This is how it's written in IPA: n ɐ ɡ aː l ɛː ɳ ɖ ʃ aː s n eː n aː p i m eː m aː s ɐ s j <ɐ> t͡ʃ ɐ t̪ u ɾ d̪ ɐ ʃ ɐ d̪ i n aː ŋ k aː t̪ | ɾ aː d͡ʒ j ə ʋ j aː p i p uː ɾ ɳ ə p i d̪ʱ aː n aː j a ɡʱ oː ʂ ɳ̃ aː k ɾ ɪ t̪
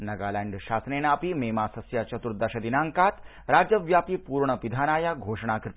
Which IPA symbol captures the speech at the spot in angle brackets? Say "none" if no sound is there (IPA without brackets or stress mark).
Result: a